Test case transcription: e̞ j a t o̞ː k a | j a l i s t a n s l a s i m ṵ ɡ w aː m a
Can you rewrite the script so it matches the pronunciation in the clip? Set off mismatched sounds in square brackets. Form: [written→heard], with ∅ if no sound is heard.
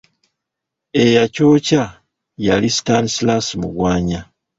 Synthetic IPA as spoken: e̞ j a [t→c] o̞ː [k→c] a | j a l i s t a n s l a s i m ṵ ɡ w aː [m→ɲ] a